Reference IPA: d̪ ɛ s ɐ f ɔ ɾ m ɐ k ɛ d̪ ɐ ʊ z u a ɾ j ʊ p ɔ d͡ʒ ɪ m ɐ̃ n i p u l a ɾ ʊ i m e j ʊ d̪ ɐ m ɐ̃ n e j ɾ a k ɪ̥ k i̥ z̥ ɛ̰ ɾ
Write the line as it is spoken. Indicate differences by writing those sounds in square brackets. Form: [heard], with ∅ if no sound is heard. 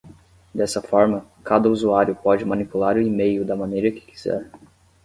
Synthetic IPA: d̪ ɛ s ɐ f ɔ ɾ m ɐ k [a] d̪ ɐ [u] z u a ɾ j ʊ p ɔ d͡ʒ ɪ m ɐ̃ n i p u l a ɾ ʊ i m e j ʊ d̪ ɐ m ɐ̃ n e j ɾ [ɐ] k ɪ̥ k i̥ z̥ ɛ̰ ɾ